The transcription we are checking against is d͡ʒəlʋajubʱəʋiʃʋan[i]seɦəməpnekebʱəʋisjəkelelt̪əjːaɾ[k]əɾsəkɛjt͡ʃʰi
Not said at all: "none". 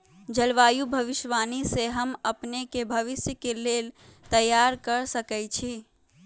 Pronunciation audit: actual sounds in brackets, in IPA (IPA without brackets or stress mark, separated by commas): i, k